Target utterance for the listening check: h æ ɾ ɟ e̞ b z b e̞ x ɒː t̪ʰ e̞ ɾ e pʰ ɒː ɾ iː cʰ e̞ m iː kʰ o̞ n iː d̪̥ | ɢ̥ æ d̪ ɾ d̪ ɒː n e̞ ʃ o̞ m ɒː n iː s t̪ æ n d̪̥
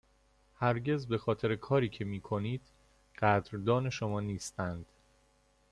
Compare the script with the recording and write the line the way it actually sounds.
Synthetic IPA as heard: h æ ɾ ɟ e̞ z b e̞ x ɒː t̪ʰ e̞ ɾ e kʰ ɒː ɾ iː cʰ e̞ m iː kʰ o̞ n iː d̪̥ | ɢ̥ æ d̪ ɾ d̪ ɒː n e̞ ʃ o̞ m ɒː n iː s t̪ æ n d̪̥